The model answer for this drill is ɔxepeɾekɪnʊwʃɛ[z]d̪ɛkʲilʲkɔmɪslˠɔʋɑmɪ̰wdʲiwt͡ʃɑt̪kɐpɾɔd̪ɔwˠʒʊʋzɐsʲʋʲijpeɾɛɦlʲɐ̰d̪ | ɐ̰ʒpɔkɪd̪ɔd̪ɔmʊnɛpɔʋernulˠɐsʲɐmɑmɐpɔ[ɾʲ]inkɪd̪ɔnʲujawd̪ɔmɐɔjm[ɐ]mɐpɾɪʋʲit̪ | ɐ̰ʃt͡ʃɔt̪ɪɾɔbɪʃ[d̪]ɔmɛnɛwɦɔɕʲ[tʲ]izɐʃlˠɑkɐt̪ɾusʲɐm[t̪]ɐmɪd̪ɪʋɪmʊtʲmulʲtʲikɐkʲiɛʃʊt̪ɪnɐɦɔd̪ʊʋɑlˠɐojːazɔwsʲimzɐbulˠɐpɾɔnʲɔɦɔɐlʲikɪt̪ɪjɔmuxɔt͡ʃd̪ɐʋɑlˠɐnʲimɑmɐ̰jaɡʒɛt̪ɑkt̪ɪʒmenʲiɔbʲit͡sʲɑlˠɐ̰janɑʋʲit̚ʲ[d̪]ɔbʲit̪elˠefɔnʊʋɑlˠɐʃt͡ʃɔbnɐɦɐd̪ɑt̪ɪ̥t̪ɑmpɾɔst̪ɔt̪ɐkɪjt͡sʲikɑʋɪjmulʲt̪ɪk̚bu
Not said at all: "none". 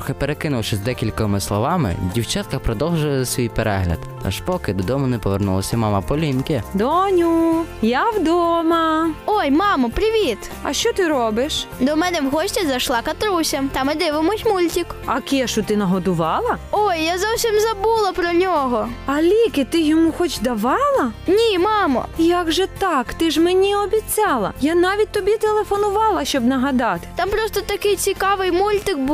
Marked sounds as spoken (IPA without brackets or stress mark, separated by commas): z, lʲ, ɑ, d̪, tʲ, t̪, t̪